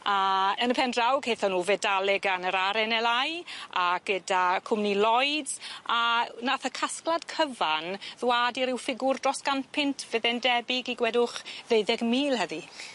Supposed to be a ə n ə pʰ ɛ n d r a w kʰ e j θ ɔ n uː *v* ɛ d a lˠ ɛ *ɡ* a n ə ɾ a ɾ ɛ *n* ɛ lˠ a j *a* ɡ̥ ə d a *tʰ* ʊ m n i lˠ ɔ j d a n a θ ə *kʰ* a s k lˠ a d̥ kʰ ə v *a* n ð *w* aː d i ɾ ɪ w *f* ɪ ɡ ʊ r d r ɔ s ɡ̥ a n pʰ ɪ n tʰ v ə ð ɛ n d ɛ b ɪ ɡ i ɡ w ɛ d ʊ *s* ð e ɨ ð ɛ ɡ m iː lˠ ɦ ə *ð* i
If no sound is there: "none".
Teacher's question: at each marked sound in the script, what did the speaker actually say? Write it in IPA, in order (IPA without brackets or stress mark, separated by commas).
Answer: v, ɡ, n, a, kʰ, kʰ, a, w, f, χ, ð